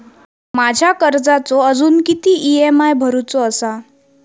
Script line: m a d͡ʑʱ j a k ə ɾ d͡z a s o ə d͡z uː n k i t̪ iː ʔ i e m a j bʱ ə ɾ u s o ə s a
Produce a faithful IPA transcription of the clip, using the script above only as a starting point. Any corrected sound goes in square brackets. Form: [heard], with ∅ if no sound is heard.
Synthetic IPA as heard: m a d͡ʑʱ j a k ə ɾ d͡z a [t͡s] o ə d͡z uː n k i t̪ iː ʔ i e m a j bʱ ə ɾ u [t͡s] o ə s a